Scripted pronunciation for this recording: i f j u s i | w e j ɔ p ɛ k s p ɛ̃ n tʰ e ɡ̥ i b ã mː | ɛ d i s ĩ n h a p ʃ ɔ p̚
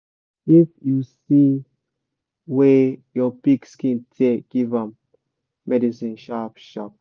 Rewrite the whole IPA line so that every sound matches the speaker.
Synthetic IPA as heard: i f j u s i | w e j ɔ p i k s k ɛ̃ n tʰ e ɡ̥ i v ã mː | ɛ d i s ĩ n ʃ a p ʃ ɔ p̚